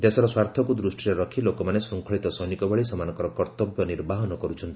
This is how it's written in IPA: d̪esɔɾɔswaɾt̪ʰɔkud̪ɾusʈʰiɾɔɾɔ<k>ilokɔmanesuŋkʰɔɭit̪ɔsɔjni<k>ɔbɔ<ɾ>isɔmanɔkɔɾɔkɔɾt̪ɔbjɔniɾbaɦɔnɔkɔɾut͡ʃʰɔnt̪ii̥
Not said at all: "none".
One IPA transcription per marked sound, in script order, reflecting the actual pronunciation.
kʰ, k, ɭ

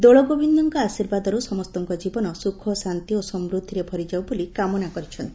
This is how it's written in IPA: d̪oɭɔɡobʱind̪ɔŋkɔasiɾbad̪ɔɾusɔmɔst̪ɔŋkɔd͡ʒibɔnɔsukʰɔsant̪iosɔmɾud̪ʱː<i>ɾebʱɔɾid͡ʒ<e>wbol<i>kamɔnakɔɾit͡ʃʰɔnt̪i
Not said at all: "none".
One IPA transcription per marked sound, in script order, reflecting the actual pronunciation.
i, a, i

